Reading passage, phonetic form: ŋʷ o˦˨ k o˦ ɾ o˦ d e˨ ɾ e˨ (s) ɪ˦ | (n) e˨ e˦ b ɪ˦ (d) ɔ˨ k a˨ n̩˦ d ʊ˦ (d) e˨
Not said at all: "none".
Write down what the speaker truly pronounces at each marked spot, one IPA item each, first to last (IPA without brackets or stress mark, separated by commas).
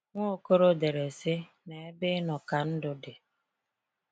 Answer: s, n, n, d